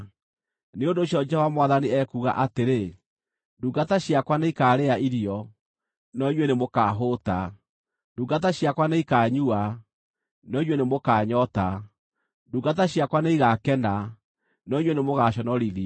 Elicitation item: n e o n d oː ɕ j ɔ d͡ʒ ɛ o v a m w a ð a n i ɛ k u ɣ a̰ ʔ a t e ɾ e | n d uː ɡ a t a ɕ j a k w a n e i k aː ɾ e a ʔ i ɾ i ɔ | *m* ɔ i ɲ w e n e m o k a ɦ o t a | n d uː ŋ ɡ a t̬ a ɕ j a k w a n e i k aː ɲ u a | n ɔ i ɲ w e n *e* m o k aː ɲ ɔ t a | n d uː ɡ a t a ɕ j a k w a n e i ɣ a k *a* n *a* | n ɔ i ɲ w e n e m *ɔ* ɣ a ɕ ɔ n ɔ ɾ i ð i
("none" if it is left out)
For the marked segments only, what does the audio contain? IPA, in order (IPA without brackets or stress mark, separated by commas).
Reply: n, e, ɛ, a, o